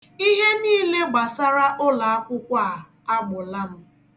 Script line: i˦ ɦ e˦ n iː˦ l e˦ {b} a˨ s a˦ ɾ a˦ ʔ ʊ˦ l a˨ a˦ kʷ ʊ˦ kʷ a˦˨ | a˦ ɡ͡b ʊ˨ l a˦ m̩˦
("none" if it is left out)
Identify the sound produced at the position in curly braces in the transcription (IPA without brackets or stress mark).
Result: ɡ͡b